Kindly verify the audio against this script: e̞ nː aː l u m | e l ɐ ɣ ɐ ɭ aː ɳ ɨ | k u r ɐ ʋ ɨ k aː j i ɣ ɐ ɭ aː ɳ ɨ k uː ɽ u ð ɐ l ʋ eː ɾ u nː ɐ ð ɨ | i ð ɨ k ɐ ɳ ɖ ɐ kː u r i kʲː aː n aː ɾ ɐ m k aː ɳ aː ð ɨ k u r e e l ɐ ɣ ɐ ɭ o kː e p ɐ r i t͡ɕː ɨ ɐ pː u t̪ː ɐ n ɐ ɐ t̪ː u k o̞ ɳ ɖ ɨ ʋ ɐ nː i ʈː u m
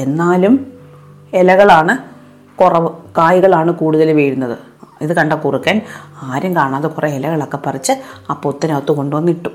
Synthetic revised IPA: e̞ nː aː l u m | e l ɐ ɣ ɐ ɭ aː ɳ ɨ | k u r ɐ ʋ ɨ k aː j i ɣ ɐ ɭ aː ɳ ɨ k uː ɽ u ð ɐ l ʋ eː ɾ u nː ɐ ð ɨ | i ð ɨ k ɐ ɳ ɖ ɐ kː u r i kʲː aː n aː ɾ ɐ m k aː ɳ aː ð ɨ k u r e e l ɐ ɣ ɐ ɭ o kː e p ɐ r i t͡ɕː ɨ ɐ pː o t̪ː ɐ n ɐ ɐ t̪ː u k o̞ ɳ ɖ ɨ ʋ ɐ nː i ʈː u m